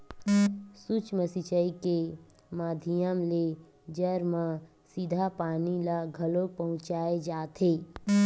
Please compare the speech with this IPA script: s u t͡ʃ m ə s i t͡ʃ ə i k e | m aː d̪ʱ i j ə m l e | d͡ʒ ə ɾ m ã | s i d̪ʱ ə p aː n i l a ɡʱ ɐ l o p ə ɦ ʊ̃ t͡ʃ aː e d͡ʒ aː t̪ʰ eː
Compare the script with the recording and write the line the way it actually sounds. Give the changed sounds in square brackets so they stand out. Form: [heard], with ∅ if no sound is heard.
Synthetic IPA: s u t͡ʃ m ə s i t͡ʃ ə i k e | m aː d̪ʱ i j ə m l e | d͡ʒ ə ɾ m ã | s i d̪ʱ [a] p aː n i l a ɡʱ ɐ l o p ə ɦ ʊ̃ t͡ʃ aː e d͡ʒ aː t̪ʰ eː

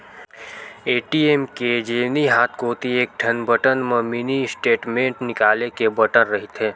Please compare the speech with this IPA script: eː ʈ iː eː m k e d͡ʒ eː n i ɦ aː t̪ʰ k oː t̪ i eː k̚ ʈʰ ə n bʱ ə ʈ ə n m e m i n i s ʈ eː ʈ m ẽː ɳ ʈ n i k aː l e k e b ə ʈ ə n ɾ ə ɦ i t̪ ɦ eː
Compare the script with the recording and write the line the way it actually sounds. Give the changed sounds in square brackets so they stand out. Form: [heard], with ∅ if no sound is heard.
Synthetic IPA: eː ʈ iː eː m k e d͡ʒ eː n i ɦ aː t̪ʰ k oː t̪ i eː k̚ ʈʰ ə n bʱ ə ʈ ə n m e m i n i s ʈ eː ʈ m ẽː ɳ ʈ n [ɪ] k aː l e k e b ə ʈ ə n ɾ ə ɦ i t̪ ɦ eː

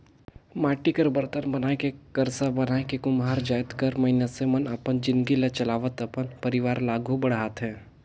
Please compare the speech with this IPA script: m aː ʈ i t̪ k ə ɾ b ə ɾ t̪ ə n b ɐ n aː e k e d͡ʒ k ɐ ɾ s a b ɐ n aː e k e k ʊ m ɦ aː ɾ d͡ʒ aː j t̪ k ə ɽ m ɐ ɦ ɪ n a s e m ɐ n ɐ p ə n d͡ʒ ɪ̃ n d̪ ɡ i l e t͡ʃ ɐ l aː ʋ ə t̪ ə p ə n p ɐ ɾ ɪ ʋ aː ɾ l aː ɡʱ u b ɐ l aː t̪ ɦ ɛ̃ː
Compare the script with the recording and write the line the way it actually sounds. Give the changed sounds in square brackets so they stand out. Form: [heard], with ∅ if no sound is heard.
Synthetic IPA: m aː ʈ i [∅] k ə ɾ b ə ɾ t̪ ə n b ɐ n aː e k e [∅] k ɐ ɾ s a b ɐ n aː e k e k ʊ m ɦ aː ɾ d͡ʒ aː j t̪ k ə [ɾ] m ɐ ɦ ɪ n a s e m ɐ n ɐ p ə n d͡ʒ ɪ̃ n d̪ ɡ i l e t͡ʃ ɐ l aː ʋ ə t̪ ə p ə n p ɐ ɾ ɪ ʋ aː ɾ l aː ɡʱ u b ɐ [ɽ] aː t̪ ɦ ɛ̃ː

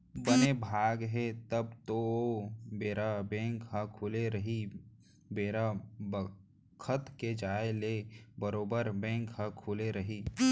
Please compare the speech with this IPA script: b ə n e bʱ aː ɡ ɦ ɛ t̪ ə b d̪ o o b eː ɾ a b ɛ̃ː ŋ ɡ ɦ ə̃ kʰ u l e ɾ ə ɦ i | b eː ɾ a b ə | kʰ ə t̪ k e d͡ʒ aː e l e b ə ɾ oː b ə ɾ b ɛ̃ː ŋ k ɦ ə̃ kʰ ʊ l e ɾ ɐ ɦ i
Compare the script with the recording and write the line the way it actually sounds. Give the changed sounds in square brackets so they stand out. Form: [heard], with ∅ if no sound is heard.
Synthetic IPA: b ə n e bʱ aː ɡ ɦ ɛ t̪ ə b [t̪] o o b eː ɾ a b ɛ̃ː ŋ [k] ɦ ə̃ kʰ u l e ɾ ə ɦ i | b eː ɾ a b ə | kʰ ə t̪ k e d͡ʒ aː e l e b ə ɾ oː b ə ɾ b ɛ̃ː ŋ k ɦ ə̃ kʰ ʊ l e ɾ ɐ ɦ i

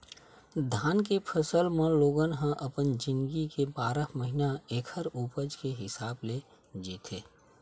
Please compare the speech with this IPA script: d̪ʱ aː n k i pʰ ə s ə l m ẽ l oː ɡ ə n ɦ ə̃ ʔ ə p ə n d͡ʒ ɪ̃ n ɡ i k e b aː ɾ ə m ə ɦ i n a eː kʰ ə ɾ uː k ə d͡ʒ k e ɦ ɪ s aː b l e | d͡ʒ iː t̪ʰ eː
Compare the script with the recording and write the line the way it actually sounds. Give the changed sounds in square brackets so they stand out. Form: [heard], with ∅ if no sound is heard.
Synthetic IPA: d̪ʱ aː n k [e] pʰ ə s ə l m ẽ l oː ɡ ə n ɦ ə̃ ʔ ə p ə n d͡ʒ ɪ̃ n ɡ i k e b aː ɾ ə m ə ɦ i n a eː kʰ ə ɾ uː [p] ə d͡ʒ k e ɦ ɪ s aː b l e | d͡ʒ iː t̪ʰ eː

